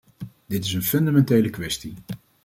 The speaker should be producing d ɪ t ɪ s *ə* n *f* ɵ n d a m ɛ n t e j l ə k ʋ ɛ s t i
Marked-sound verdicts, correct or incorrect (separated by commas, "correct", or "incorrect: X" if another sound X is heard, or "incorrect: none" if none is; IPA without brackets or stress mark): correct, correct